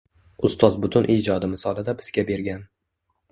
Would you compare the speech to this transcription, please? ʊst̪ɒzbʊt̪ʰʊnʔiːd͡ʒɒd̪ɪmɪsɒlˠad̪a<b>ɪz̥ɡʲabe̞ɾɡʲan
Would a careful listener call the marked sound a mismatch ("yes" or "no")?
no